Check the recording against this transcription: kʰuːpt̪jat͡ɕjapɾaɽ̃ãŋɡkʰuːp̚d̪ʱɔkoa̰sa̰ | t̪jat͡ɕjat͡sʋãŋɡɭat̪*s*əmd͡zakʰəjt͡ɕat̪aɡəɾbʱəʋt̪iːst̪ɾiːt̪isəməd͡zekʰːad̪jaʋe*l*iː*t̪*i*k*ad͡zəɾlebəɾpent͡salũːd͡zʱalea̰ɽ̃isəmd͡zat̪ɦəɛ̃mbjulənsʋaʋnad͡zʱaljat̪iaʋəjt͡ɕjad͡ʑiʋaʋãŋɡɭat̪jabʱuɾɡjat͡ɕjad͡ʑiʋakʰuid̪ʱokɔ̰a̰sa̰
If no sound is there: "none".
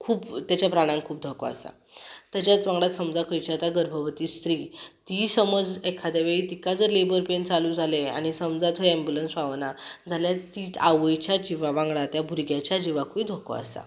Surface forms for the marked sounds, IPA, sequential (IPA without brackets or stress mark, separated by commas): s, ɭ, t̪, k